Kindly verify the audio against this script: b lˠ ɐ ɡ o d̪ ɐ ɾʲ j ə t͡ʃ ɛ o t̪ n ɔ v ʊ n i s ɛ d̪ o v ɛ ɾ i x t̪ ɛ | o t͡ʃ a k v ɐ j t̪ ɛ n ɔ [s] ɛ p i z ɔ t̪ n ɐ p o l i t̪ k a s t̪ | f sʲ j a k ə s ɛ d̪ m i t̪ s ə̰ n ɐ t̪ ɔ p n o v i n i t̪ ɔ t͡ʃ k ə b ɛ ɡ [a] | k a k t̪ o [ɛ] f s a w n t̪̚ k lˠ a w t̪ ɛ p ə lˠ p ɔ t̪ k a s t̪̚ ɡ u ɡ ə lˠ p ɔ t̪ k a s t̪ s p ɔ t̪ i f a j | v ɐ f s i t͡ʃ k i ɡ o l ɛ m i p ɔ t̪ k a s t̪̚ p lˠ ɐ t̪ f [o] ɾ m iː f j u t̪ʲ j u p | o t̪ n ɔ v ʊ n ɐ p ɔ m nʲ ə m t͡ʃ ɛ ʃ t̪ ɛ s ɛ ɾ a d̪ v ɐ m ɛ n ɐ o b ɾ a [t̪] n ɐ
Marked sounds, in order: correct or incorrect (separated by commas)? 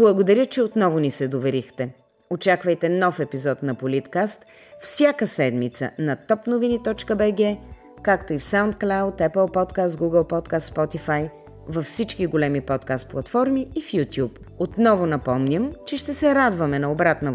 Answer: incorrect, incorrect, incorrect, incorrect, correct